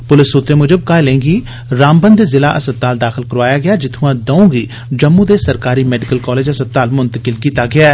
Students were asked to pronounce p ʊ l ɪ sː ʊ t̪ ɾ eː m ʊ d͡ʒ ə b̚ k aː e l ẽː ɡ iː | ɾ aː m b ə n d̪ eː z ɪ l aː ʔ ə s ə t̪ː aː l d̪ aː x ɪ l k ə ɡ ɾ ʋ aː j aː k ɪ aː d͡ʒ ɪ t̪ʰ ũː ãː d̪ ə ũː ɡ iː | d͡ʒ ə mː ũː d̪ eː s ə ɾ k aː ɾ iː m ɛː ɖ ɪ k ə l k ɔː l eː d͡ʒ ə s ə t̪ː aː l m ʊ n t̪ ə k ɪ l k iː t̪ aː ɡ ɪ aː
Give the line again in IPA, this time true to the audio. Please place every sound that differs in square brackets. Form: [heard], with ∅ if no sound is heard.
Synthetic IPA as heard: p ʊ l ɪ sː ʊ t̪ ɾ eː m ʊ d͡ʒ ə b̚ k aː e l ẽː ɡ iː | ɾ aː m b ə n d̪ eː z ɪ l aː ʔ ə s ə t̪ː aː l d̪ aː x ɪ l k ə [∅] ɾ ʋ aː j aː [ɡ] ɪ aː d͡ʒ ɪ t̪ʰ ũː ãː d̪ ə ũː ɡ iː | d͡ʒ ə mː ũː d̪ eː s ə ɾ k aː ɾ iː m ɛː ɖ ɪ k ə l k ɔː l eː d͡ʒ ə s ə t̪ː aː l m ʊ n t̪ ə k ɪ l k iː t̪ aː ɡ ɪ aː